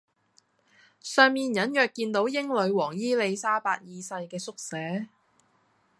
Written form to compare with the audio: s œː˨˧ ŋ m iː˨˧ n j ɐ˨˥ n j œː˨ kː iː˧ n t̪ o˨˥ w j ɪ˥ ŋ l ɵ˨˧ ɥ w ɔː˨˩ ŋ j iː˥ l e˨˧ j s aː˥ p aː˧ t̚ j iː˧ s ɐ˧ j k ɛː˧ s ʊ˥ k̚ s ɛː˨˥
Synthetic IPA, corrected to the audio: s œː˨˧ ŋ m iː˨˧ n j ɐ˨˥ n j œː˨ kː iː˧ n t̪ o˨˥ w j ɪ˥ ŋ l ɵ˨˧ ɥ w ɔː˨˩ ŋ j iː˥ l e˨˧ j s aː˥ p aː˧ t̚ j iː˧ s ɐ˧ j k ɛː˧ s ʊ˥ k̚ s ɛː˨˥